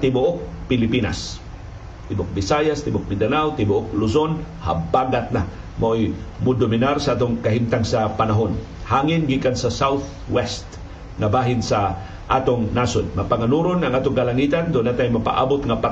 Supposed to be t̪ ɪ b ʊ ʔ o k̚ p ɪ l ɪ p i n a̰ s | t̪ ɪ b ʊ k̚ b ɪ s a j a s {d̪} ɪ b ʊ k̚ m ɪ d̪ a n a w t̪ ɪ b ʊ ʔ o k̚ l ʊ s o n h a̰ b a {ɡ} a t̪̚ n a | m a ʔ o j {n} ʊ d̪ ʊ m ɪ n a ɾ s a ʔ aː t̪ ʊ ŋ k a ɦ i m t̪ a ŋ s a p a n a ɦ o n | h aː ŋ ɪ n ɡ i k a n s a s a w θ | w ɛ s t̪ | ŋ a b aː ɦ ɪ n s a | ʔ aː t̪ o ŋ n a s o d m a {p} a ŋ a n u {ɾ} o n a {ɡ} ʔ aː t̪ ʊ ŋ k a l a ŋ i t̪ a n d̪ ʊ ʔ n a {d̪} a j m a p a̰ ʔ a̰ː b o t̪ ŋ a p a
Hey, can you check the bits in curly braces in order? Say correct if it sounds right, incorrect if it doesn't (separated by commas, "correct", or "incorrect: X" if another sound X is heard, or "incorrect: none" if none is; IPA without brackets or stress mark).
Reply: incorrect: t̪, correct, incorrect: m, correct, correct, incorrect: ŋ, incorrect: t̪